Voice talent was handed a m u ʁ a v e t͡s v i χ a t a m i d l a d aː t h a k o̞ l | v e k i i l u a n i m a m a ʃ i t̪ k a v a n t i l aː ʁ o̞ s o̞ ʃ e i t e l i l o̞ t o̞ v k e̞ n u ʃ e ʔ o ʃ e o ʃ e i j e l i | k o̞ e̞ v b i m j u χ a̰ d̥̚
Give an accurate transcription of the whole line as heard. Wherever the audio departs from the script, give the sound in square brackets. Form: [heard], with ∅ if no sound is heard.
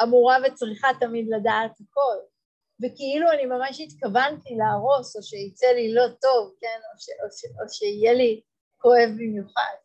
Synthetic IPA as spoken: a m u ʁ a v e t͡s [ʁ] i χ a t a m i d l a d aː t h a k o̞ l | v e k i i l u a n i m a m a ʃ i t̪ k a v a n t i l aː ʁ o̞ s o̞ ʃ e i [t͡s] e l i l o̞ t o̞ v k e̞ n [o] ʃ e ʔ o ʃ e o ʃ e i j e l i | k o̞ e̞ v b i m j u χ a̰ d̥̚